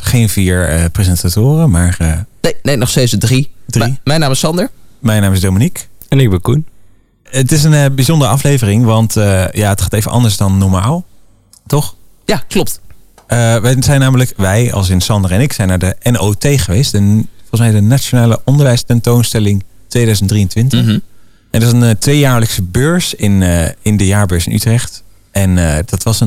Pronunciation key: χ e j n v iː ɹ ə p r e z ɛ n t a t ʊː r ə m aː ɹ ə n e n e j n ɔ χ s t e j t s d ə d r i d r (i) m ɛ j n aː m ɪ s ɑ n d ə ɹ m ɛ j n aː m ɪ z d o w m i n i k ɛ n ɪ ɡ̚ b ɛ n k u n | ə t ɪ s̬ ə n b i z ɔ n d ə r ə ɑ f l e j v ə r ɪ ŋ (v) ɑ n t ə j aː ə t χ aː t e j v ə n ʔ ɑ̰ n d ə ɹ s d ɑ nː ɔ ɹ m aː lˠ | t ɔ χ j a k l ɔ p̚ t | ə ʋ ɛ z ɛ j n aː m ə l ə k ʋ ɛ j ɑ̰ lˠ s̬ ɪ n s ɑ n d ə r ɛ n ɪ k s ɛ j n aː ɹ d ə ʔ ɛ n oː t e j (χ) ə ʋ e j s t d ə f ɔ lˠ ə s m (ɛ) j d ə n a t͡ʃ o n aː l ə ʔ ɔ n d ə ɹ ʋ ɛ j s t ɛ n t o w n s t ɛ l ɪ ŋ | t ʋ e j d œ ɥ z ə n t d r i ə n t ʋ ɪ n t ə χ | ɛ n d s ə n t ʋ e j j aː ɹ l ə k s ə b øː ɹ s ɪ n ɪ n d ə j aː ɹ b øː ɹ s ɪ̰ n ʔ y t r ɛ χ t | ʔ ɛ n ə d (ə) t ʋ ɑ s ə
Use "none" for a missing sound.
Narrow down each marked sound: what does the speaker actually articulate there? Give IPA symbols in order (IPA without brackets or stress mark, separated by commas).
i, ʋ, χ, ɛ, ɑ